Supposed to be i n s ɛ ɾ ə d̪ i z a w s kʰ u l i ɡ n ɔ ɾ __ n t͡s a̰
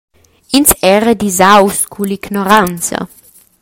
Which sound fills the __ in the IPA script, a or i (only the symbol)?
a